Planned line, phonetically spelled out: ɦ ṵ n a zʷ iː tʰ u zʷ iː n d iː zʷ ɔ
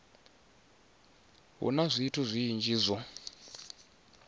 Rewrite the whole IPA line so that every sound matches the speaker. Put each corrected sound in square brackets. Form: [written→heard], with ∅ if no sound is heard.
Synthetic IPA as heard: ɦ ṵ n a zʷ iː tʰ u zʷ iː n [d→d͡ʒ] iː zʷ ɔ